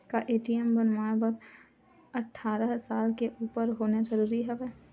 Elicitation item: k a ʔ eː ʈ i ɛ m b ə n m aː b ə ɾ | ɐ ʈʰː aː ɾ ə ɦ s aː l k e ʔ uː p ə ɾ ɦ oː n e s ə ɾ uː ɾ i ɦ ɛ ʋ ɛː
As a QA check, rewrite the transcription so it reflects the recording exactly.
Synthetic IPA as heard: k a ʔ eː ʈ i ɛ m b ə n m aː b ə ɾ | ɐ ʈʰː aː ɾ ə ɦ s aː l k e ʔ uː p ə ɾ ɦ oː n e z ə ɾ uː ɾ i ɦ ɛ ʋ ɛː